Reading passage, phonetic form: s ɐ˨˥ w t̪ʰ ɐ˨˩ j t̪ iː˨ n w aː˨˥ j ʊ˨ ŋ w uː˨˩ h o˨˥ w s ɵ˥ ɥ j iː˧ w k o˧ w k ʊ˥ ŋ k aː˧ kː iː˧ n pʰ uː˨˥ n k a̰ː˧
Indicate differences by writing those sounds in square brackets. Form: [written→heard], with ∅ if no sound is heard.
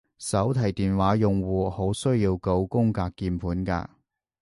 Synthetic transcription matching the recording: s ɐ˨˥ w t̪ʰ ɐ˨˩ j t̪ iː˨ n w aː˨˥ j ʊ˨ ŋ w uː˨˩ h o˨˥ w s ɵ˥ ɥ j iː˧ w k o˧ w k ʊ˥ ŋ k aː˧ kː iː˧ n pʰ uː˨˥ n k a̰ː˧

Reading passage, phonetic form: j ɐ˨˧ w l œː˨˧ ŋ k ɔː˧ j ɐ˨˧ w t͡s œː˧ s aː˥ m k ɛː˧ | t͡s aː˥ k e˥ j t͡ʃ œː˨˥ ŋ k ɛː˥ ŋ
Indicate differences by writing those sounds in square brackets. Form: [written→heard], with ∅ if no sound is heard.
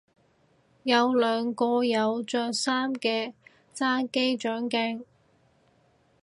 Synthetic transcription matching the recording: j ɐ˨˧ w l œː˨˧ ŋ k ɔː˧ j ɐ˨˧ w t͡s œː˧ s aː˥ m k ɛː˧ | t͡s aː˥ k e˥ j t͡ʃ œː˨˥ ŋ k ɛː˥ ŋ

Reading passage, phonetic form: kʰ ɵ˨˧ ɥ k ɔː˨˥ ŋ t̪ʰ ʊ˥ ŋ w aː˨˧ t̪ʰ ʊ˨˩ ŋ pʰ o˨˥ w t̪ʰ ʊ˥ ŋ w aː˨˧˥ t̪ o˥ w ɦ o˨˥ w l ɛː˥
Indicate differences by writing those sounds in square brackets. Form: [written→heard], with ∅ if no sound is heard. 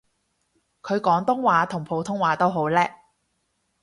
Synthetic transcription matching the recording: kʰ ɵ˨˧ ɥ k ɔː˨˥ ŋ [t̪ʰ→t̪] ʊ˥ ŋ w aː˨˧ t̪ʰ ʊ˨˩ ŋ pʰ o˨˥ w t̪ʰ ʊ˥ ŋ w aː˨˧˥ t̪ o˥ w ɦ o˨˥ w l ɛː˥

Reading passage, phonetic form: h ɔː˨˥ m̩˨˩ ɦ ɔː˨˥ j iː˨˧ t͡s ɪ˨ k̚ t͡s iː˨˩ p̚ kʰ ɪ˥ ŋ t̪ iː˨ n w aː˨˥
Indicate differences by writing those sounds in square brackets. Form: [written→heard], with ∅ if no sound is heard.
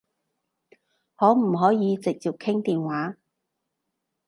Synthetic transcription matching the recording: h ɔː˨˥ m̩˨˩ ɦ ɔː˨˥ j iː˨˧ t͡s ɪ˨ k̚ t͡s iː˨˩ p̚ kʰ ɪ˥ ŋ t̪ iː˨ n w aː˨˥

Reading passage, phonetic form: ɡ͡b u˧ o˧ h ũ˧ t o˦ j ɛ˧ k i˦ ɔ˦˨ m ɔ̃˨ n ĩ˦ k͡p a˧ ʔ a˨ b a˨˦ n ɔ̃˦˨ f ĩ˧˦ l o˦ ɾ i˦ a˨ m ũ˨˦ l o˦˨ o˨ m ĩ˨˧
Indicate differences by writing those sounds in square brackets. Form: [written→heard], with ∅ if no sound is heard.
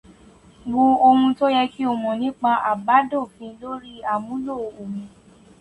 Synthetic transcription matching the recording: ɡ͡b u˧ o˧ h ũ˧ t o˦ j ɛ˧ k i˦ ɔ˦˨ m ɔ̃˨ n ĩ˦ k͡p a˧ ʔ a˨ b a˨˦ [n→d] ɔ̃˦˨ f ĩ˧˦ l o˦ ɾ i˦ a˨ m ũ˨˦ l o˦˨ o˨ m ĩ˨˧

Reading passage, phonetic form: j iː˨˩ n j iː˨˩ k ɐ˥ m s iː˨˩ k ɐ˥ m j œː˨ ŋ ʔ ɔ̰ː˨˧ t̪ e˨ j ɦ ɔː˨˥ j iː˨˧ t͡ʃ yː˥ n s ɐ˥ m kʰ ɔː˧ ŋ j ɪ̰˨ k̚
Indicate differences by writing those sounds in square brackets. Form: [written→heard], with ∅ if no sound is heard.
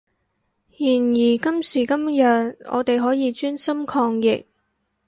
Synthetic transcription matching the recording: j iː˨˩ n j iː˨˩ k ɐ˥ m s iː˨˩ k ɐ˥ m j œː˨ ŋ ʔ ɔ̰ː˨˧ t̪ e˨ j ɦ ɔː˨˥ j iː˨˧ t͡ʃ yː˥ n s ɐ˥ m kʰ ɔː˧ ŋ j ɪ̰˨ k̚

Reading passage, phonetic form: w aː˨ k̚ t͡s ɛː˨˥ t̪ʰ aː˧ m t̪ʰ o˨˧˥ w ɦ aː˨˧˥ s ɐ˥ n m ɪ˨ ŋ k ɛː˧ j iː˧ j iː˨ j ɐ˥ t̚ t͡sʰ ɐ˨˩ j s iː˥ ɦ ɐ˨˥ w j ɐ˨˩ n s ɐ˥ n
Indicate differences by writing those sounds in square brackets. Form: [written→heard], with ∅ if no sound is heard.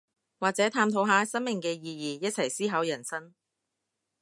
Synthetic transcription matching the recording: w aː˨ k̚ t͡s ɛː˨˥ t̪ʰ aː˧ m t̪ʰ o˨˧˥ w ɦ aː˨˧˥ s ɐ˥ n m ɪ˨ ŋ k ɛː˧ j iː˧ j iː˨ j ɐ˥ t̚ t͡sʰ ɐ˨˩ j s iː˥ ɦ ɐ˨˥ w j ɐ˨˩ n s ɐ˥ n

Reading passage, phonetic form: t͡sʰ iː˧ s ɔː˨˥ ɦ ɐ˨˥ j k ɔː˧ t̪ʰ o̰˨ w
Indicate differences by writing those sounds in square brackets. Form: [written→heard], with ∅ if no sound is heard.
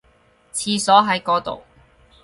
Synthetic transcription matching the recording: t͡sʰ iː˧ s ɔː˨˥ ɦ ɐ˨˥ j k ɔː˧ [t̪ʰ→t̪] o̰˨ w

